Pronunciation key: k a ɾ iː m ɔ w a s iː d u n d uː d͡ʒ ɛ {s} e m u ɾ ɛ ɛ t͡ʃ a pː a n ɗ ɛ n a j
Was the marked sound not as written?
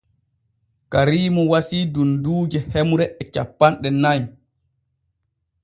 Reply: yes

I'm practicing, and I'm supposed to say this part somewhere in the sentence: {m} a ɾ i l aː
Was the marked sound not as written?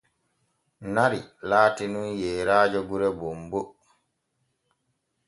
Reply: yes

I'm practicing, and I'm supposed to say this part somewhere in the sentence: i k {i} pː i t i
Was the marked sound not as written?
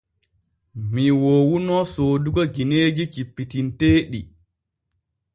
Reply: no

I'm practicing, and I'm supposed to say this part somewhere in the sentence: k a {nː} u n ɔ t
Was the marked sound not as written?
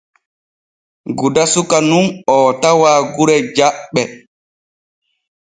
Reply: yes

